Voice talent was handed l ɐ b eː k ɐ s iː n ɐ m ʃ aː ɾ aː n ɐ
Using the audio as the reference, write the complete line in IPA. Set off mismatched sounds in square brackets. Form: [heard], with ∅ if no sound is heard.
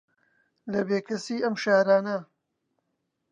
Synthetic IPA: l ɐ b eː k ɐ s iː [∅] ɐ m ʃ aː ɾ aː n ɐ